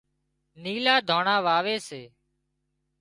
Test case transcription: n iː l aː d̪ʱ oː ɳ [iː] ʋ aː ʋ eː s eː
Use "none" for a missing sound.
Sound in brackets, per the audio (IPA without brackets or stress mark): aː